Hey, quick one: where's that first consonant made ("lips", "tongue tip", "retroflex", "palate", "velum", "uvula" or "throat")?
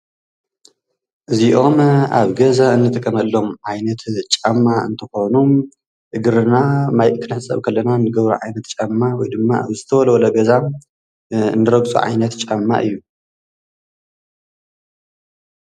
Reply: throat